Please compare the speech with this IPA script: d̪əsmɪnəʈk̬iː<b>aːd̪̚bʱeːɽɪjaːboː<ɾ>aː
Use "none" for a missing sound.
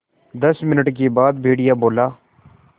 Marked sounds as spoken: b, l

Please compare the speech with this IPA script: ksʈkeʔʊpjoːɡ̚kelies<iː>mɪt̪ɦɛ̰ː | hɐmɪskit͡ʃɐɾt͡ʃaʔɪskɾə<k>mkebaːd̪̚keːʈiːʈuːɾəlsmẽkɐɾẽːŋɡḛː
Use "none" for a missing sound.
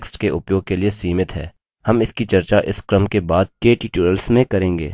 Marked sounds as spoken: iː, none

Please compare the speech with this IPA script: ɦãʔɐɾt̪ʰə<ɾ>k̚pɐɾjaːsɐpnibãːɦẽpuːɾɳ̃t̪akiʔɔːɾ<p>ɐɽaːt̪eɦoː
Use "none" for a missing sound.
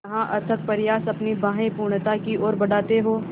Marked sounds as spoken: none, b

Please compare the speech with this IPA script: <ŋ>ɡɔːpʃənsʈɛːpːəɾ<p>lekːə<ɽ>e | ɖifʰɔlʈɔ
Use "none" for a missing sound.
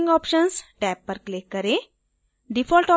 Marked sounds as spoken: ŋ, k, ɾ

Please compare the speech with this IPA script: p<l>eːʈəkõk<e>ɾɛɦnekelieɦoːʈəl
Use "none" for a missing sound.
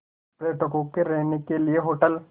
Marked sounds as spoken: ɾ, e

